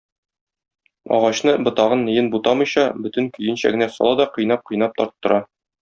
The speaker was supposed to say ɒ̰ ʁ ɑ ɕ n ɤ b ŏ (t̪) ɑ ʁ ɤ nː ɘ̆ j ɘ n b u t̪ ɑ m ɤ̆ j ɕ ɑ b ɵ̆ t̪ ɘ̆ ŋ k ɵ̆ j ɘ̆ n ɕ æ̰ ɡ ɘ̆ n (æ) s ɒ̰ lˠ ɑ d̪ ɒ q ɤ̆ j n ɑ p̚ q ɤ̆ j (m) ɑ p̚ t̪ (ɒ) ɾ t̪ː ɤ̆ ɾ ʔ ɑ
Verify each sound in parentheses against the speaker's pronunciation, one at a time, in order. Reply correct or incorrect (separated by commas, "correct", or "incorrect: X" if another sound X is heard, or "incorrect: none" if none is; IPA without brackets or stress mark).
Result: correct, correct, incorrect: n, correct